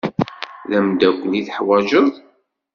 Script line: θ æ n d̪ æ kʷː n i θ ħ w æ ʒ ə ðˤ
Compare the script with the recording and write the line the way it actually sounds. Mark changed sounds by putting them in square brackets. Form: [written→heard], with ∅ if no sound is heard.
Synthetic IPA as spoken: [θ→ð] æ [n→m] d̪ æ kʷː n i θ ħ w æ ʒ ə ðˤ